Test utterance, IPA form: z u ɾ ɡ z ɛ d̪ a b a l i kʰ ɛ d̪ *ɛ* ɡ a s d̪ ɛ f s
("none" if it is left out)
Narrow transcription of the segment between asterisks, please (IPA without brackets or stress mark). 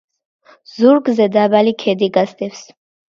i